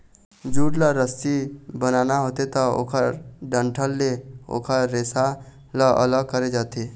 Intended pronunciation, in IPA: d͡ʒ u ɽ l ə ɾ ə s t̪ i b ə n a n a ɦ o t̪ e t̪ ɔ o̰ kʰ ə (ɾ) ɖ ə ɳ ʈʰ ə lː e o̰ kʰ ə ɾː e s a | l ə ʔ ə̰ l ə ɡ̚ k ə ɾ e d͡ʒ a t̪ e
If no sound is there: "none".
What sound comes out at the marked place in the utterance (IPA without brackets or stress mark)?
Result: ɾ